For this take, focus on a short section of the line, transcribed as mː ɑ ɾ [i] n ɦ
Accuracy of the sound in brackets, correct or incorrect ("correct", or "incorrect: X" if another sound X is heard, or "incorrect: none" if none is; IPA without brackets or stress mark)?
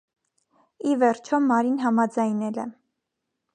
correct